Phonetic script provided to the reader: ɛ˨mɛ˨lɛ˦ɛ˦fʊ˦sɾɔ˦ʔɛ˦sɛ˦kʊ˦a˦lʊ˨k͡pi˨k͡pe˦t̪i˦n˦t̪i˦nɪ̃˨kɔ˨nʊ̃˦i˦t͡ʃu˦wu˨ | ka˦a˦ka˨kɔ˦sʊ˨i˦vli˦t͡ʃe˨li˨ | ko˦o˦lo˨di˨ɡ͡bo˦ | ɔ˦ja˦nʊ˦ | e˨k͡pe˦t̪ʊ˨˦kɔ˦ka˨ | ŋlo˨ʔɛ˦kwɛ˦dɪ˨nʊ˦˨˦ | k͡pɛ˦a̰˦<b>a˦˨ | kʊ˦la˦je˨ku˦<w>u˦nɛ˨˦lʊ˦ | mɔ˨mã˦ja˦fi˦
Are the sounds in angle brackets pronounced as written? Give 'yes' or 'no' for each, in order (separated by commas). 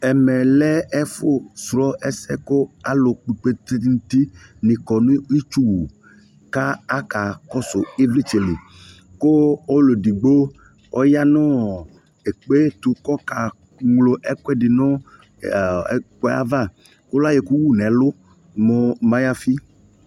no, yes